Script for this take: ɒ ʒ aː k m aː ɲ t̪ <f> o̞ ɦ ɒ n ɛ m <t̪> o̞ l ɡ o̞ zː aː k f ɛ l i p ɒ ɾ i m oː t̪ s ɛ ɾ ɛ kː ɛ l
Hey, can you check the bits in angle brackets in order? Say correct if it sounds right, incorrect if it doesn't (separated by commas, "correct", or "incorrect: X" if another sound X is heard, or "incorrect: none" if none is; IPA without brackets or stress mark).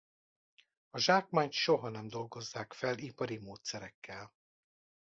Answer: incorrect: ʃ, incorrect: d̪